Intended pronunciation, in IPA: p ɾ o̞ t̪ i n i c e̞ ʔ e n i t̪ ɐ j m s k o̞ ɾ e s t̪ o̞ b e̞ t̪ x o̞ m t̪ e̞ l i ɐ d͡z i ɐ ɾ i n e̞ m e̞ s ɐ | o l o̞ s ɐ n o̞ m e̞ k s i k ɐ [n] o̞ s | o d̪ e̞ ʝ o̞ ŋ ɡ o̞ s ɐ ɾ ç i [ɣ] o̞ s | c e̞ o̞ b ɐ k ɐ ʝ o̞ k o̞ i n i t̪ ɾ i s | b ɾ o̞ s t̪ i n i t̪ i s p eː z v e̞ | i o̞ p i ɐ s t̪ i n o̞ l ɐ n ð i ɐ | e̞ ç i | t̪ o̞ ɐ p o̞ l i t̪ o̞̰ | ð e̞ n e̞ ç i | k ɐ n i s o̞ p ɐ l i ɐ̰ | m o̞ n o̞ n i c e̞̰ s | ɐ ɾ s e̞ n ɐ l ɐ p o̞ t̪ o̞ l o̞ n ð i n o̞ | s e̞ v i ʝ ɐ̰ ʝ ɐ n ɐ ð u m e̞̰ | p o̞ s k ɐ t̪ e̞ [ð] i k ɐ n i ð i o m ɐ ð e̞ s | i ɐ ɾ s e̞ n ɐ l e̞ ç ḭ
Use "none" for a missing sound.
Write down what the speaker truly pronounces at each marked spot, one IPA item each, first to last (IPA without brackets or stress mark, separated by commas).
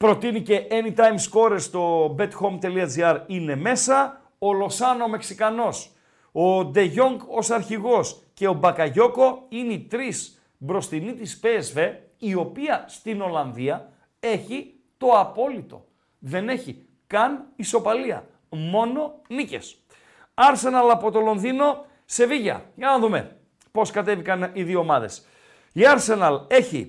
n, ɣ, v